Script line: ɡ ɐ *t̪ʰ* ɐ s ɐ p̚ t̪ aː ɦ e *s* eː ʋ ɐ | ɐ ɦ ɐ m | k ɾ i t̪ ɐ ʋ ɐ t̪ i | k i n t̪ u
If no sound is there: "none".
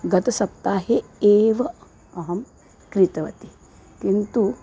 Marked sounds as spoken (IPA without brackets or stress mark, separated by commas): t̪, none